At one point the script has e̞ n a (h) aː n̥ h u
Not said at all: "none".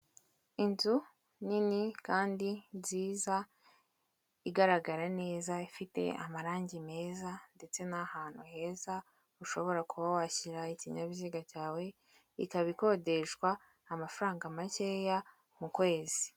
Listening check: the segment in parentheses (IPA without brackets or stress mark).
h